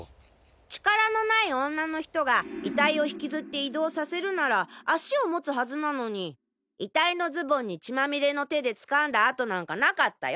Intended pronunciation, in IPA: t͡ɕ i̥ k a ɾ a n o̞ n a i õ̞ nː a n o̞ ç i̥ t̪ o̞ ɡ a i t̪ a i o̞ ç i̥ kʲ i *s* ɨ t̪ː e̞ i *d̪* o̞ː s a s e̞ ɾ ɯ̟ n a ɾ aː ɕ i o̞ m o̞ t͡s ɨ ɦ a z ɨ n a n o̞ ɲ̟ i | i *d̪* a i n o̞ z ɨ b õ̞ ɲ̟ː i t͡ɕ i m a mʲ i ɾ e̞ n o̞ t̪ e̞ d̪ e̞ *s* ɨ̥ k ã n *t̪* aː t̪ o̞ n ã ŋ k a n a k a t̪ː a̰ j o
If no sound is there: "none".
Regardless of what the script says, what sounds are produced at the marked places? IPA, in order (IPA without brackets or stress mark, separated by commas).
z, d̪, t̪, t͡s, d̪